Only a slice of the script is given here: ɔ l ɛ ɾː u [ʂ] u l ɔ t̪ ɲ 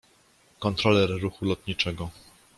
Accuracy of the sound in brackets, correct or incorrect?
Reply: incorrect